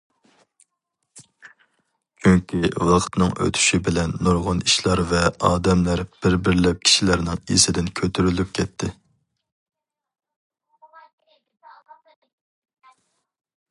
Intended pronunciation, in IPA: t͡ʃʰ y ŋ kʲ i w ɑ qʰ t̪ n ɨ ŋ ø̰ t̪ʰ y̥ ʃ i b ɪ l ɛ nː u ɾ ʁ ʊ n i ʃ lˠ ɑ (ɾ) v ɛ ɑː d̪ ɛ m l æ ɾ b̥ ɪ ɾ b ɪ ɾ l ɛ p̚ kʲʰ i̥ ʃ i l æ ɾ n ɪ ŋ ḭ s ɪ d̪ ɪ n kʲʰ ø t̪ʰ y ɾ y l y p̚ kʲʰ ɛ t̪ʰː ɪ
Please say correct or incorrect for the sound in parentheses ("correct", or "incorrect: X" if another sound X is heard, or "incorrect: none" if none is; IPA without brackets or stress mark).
correct